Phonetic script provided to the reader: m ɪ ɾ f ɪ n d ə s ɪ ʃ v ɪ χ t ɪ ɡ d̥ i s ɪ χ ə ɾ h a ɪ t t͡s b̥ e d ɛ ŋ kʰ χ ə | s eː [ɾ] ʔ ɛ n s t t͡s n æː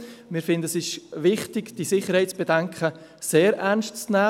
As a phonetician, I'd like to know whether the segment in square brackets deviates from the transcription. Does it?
no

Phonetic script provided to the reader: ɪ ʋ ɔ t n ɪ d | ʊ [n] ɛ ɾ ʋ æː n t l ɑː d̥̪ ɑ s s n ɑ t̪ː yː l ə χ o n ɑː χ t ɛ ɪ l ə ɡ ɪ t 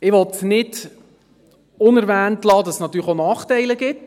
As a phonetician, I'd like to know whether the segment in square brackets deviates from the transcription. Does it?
no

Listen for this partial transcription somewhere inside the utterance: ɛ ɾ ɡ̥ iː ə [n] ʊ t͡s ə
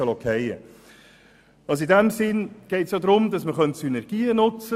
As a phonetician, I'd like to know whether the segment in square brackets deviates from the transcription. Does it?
no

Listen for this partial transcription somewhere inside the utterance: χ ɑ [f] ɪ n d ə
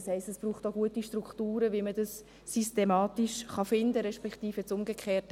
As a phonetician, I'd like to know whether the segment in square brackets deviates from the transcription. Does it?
no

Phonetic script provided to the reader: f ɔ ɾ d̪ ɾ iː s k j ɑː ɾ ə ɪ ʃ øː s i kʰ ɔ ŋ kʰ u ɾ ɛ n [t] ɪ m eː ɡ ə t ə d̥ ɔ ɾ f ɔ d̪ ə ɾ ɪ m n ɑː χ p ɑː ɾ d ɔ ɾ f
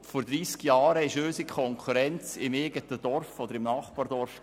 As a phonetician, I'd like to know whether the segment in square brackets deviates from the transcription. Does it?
yes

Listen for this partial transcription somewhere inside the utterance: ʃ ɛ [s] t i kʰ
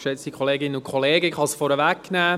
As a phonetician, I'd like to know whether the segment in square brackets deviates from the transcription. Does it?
yes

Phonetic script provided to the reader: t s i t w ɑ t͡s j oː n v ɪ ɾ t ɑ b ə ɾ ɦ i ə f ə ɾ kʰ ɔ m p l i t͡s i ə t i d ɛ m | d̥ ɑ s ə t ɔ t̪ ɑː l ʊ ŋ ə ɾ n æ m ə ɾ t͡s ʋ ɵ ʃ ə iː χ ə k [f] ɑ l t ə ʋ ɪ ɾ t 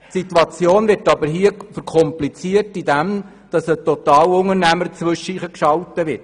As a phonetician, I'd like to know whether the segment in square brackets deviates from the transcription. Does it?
yes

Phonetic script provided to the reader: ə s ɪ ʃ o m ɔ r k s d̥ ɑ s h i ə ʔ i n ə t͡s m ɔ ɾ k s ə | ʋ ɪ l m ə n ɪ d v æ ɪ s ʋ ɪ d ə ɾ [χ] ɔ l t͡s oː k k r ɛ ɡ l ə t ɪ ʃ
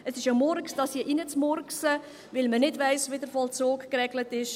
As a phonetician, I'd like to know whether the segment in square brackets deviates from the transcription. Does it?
yes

